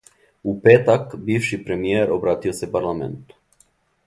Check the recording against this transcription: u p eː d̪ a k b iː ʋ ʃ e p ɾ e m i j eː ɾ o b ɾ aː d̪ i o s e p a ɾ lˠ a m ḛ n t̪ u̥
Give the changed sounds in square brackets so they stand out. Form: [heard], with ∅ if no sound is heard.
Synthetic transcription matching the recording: u p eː [t̪] a k b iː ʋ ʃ [i] p ɾ e m i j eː ɾ o b ɾ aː [t̪] i o s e p a ɾ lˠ a m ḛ n t̪ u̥